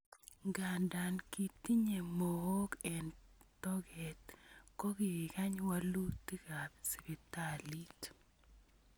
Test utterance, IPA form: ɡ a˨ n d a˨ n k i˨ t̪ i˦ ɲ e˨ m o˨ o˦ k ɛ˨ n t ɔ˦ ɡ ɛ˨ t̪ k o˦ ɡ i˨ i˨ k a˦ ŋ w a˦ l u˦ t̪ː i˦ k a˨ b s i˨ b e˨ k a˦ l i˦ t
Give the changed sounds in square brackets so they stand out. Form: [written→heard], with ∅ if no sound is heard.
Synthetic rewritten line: ɡ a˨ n d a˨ n k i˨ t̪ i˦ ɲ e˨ m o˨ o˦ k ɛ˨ n t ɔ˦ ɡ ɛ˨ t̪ k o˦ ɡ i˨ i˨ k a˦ [ŋ→ɲ] w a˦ l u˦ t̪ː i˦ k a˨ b s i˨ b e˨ [k→t] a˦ l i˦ t